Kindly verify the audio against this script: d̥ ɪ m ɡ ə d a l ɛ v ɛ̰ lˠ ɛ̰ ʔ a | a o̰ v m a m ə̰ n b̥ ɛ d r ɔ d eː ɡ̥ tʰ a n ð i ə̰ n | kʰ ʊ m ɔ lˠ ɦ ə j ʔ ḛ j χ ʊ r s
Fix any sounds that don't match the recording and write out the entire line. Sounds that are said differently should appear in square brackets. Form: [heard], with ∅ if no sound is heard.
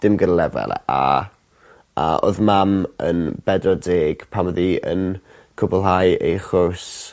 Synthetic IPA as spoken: d̥ ɪ m ɡ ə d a l ɛ v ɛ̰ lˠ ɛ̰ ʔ a | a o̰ [ð] m a m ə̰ n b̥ ɛ d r ɔ d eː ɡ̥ [pʰ] a [m] ð i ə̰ n | kʰ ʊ [b] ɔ lˠ ɦ [a] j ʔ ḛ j χ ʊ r s